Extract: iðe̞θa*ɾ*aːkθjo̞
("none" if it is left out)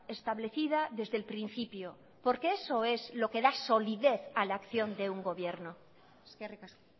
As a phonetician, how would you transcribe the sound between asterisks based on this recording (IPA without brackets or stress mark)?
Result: l